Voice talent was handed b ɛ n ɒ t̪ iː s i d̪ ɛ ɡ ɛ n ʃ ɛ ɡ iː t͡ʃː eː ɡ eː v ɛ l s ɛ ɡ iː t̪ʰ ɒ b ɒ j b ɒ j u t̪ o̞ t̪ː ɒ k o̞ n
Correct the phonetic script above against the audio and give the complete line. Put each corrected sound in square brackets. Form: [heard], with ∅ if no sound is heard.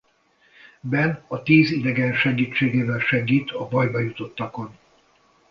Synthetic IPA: b ɛ n ɒ t̪ iː [z] i d̪ ɛ ɡ ɛ n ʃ ɛ ɡ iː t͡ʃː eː ɡ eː v ɛ l [ʃ] ɛ ɡ iː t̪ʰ ɒ b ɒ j b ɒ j u t̪ o̞ t̪ː ɒ k o̞ n